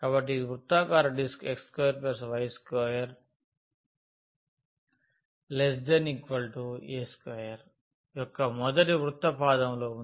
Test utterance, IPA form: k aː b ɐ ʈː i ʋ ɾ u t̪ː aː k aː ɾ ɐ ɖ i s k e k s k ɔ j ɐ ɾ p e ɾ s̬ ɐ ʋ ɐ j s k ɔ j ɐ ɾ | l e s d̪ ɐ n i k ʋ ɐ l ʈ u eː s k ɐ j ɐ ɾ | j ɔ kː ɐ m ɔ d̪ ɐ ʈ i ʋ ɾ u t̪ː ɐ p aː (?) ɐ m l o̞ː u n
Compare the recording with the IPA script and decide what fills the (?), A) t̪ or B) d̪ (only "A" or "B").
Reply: B